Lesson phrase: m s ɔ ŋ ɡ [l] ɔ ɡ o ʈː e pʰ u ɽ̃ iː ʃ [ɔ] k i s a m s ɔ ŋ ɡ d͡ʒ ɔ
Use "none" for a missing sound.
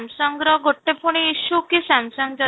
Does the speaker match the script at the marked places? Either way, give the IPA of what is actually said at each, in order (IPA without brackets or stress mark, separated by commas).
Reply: ɾ, u